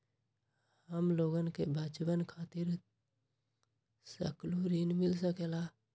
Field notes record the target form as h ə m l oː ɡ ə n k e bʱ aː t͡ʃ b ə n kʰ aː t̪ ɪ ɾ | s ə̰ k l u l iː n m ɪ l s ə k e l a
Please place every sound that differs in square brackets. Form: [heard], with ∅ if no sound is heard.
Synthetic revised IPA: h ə m l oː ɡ ə n k e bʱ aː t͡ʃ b ə n kʰ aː t̪ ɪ ɾ | s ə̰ k l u [ɾ] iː n m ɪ l s ə k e l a